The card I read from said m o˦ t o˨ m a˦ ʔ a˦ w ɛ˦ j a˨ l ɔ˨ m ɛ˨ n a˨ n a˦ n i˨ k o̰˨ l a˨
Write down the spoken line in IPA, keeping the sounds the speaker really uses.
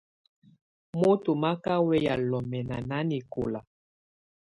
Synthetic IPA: m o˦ t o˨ m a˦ k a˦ w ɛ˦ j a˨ l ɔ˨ m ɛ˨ n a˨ n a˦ n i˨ k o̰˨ l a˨